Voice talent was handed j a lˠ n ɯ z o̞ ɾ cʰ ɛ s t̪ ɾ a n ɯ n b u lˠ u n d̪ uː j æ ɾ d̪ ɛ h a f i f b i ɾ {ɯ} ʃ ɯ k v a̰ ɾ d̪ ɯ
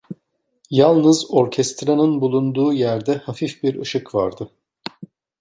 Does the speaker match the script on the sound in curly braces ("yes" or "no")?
yes